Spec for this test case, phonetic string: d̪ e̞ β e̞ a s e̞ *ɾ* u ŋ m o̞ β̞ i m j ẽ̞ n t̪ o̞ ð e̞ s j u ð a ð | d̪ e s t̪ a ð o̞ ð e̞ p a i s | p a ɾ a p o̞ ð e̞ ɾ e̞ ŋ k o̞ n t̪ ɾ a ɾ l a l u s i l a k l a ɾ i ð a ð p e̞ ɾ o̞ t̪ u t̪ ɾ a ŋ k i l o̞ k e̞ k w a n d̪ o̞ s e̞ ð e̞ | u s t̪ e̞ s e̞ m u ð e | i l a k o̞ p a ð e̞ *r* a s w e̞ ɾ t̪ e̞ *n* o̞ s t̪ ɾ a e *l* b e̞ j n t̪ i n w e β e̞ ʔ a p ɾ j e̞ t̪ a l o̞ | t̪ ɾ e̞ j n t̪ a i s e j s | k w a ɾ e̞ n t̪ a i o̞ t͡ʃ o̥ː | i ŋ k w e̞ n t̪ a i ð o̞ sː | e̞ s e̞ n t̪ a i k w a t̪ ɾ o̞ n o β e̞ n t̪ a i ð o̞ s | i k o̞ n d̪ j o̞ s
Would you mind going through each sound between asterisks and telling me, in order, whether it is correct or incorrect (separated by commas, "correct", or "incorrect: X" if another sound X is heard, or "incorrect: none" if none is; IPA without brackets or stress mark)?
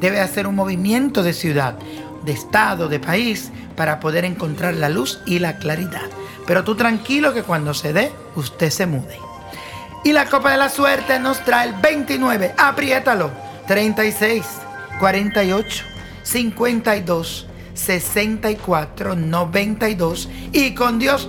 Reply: correct, incorrect: l, correct, correct